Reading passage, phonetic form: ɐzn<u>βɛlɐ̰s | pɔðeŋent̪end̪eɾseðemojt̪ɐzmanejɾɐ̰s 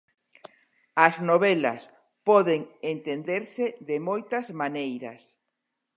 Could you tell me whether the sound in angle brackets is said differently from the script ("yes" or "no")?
yes